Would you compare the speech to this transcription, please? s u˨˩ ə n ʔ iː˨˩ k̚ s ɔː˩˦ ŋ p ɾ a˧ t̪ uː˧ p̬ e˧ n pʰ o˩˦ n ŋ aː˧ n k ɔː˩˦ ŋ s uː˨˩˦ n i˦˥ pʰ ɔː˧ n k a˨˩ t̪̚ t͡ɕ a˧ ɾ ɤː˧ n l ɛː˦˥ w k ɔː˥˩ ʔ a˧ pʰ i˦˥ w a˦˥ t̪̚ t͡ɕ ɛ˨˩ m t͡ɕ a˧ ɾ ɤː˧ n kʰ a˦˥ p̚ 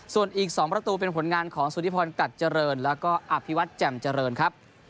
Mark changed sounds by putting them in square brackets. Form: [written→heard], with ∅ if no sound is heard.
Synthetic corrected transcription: s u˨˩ ə n ʔ iː˨˩ k̚ s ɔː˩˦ ŋ p ɾ a˧ t̪ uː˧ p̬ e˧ n pʰ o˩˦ n ŋ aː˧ n [k→kʰ] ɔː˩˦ ŋ s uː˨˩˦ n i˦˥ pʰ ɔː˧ n k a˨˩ t̪̚ t͡ɕ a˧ ɾ ɤː˧ n l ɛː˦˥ w k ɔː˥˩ ʔ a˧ pʰ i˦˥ w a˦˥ t̪̚ t͡ɕ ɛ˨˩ m t͡ɕ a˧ ɾ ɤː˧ n kʰ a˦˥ p̚